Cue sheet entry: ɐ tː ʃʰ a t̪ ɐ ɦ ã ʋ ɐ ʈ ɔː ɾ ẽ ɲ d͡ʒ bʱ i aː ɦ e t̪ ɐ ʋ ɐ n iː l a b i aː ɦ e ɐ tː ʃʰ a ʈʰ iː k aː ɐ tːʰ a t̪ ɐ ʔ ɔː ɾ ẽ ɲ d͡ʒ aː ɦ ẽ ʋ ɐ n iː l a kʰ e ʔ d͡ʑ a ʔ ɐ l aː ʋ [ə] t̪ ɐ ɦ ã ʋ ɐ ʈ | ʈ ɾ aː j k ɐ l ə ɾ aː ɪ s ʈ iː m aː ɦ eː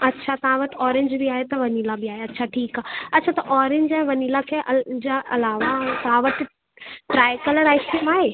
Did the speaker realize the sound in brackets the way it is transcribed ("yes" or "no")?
no